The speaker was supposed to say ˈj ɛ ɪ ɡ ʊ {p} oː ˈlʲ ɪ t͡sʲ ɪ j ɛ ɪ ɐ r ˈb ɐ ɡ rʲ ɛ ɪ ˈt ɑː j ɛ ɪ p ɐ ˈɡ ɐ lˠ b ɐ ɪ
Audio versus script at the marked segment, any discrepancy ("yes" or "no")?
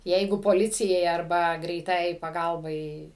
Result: no